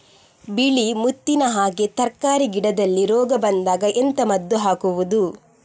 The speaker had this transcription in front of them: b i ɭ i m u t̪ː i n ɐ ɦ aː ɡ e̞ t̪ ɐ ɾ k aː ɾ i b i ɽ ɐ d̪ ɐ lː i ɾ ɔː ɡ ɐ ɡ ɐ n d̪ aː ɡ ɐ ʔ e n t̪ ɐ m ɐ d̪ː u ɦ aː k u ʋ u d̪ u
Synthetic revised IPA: b i ɭ i m u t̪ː i n ɐ ɦ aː ɡ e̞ t̪ ɐ ɾ k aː ɾ i ɡ i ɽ ɐ d̪ ɐ lː i ɾ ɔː ɡ ɐ b ɐ n d̪ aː ɡ ɐ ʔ e n t̪ ɐ m ɐ d̪ː u ɦ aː k u ʋ u d̪ u

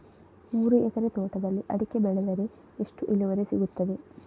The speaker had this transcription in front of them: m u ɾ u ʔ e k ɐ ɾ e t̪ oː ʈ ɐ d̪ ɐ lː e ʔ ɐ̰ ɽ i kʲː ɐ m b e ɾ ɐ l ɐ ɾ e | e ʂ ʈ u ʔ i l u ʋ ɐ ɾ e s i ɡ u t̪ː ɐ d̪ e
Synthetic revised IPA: m uː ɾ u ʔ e k ɐ ɾ e t̪ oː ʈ ɐ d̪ ɐ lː i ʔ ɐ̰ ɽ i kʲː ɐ b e ɭ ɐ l ɐ ɾ e | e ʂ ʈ u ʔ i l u ʋ ɐ ɾ e s i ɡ u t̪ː ɐ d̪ e

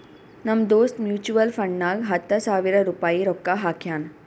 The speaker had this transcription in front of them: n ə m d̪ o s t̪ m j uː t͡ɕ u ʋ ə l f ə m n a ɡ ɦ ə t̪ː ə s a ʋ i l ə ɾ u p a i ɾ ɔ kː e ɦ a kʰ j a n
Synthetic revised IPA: n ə m d̪ o s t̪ m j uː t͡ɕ u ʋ ə l f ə ɳ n a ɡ ɦ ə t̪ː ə s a ʋ i ɾ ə ɾ u p a i ɾ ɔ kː a ɦ a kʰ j a n

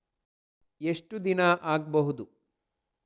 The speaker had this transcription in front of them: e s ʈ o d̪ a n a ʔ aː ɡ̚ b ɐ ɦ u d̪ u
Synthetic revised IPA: e ʂ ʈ u d̪ i n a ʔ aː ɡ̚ b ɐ ɦ u d̪ u

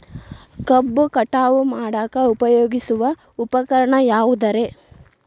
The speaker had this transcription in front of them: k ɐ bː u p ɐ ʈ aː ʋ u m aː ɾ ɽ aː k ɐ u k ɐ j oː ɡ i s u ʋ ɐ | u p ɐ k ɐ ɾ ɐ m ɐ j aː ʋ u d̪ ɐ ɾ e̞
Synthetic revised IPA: k ɐ bː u k ɐ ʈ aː ʋ u m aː ɽ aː k ɐ u p ɐ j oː ɡ i s u ʋ ɐ | u p ɐ k ɐ ɾ ɐ ɳ ɐ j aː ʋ u d̪ ɐ ɾ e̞

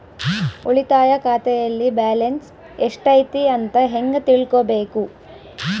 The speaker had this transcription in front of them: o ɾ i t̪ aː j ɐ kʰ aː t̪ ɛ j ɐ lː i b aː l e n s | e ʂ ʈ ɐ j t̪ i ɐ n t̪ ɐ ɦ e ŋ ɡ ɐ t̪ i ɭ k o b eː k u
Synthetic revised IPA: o ɭ i t̪ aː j ɐ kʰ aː t̪ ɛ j ɐ lː i b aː l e n s | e ʂ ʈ ɐ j t̪ i ɐ n t̪ ɐ ɦ e ŋ ɡ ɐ t̪ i ɭ k o b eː k u

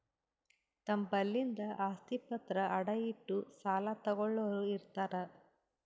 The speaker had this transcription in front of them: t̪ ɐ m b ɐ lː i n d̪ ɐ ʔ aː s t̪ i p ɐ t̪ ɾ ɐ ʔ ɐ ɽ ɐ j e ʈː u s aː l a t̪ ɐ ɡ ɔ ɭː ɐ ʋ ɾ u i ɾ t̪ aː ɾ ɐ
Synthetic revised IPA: t̪ ɐ m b ɐ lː i n d̪ ɐ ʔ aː s t̪ i p ɐ t̪ ɾ ɐ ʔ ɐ ɽ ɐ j i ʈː u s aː l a t̪ ɐ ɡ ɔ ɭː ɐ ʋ ɾ u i ɾ t̪ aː ɾ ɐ

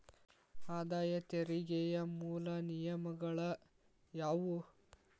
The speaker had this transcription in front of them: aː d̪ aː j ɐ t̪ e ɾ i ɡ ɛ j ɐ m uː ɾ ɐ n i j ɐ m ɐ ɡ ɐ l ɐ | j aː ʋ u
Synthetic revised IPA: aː d̪ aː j ɐ t̪ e ɾ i ɡ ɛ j ɐ m uː l ɐ n i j ɐ m ɐ ɡ ɐ ɭ ɐ | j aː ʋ u

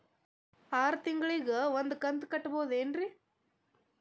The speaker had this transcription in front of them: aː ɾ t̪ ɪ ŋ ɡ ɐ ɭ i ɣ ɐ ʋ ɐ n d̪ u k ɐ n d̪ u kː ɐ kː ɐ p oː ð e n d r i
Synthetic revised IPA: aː ɾ t̪ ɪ ŋ ɡ ɐ ɭ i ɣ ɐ ʋ ɐ n d̪ ɯ k ɐ n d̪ ɯ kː ɐ ʈː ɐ p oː ð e n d r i

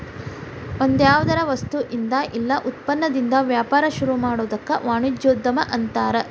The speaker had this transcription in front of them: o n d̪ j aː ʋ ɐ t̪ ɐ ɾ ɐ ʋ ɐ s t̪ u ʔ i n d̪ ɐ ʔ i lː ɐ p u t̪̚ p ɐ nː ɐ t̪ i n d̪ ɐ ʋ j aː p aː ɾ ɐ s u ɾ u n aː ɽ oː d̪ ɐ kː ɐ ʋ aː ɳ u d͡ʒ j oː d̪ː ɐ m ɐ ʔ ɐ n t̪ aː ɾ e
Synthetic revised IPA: o n d̪ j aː ʋ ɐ d̪ ɐ ɾ ɐ ʋ ɐ s t̪ u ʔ i n d̪ ɐ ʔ i lː ɐ ʔ u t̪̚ p ɐ nː ɐ d̪ i n d̪ ɐ ʋ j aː p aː ɾ ɐ ʃ u ɾ u m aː ɽ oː d̪ ɐ kː ɐ ʋ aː ɳ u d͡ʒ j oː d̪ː ɐ m ɐ ʔ ɐ n t̪ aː ɾ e

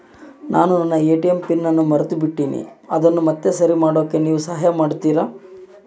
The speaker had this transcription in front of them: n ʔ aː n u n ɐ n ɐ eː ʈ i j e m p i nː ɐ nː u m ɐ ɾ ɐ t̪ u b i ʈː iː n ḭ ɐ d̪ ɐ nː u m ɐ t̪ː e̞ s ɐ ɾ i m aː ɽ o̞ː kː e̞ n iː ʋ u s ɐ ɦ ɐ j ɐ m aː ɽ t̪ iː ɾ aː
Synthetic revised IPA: n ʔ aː n u n ɐ nː ɐ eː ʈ i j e m p i nː ɐ nː u m ɐ ɾ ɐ t̪ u b i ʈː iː n ḭ ɐ d̪ ɐ nː u m ɐ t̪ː e̞ s ɐ ɾ i m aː ɽ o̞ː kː e̞ n iː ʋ u s ɐ ɦ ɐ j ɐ m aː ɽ t̪ iː ɾ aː

